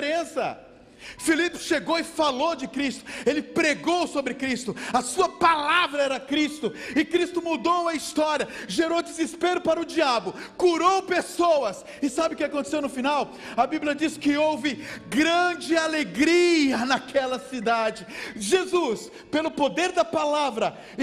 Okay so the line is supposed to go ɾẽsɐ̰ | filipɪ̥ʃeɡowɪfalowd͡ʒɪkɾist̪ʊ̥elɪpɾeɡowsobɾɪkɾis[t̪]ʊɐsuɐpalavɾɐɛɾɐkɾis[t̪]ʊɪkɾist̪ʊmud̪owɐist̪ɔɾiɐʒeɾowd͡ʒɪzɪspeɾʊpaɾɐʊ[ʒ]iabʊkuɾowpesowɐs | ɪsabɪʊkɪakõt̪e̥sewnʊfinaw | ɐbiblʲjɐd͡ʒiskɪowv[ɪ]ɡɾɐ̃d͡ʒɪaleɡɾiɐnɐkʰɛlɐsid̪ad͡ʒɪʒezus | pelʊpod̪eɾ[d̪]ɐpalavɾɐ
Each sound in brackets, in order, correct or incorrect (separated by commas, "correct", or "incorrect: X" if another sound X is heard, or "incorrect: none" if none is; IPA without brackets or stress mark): correct, correct, incorrect: d͡ʒ, correct, correct